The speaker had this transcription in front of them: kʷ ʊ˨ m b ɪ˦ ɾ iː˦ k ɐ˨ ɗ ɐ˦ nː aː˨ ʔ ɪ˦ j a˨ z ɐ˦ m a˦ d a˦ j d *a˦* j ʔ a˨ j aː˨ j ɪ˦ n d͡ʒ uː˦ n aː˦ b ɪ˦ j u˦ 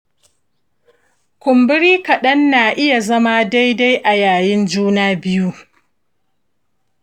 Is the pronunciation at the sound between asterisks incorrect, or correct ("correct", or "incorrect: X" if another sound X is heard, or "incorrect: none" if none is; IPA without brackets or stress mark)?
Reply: correct